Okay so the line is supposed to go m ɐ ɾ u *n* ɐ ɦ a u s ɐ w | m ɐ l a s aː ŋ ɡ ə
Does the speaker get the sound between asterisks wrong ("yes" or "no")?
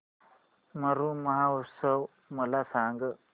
yes